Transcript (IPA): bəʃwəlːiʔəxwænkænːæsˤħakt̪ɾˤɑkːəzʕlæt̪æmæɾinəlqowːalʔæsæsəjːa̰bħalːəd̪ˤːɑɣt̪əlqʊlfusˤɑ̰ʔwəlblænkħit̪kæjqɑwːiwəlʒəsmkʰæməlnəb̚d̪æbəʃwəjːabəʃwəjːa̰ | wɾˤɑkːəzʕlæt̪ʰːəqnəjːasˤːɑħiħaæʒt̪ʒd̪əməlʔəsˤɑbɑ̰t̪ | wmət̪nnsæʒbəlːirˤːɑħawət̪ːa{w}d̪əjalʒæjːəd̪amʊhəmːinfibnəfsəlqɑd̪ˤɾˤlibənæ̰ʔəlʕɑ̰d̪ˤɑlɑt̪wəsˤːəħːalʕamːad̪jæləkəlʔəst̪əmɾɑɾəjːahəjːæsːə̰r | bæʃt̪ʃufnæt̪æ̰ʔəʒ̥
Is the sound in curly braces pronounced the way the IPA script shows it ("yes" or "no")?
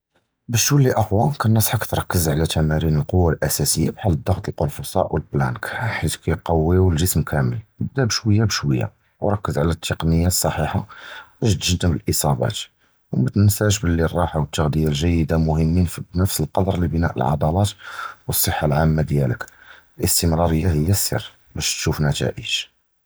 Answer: no